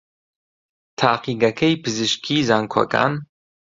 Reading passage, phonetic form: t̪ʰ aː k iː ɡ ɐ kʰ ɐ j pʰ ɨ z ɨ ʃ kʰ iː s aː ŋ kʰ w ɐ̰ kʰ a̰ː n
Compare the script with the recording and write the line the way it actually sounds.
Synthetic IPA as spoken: t̪ʰ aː q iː ɡ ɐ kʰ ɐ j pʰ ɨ z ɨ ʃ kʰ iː z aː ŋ kʰ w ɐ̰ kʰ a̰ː n

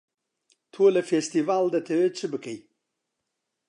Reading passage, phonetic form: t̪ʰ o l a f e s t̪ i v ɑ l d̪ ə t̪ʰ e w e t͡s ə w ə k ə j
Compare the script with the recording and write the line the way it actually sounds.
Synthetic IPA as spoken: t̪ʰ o l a f e s t̪ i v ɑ l d̪ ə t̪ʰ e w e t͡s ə b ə k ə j

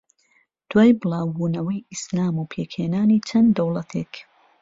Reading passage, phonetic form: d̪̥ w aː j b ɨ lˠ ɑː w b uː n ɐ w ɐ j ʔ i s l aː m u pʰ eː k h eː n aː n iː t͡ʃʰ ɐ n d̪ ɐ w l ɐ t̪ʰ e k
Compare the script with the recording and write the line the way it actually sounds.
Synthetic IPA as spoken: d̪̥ w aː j b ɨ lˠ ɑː w b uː n ɐ w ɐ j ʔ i s l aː m u pʰ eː k h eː n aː n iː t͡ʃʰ ɐ n d̪ ɐ w l ɐ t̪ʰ e k

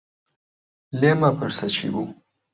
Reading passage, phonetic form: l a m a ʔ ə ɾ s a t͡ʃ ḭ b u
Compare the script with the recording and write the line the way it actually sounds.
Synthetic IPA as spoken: l e m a p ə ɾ s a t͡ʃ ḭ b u

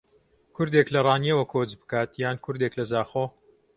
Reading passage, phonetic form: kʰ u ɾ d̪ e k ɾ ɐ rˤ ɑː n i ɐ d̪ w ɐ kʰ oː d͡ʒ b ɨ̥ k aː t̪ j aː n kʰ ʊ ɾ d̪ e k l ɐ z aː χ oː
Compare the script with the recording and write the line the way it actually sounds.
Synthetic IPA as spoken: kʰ ʊ ɾ d̪ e k l ɐ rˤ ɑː n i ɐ w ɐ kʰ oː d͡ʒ b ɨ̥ k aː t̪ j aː n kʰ ʊ ɾ d̪ e k l ɐ z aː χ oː

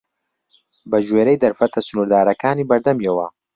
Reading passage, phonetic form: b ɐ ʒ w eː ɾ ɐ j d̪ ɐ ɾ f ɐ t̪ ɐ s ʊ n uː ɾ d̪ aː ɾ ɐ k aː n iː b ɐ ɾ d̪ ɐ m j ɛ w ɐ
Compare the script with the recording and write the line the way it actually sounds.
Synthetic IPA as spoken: b ɐ ʒ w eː ɾ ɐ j d̪ ɐ ɾ f ɐ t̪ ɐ s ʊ n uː ɾ d̪ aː ɾ ɐ k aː n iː b ɐ ɾ d̪ ɐ m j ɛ w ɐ

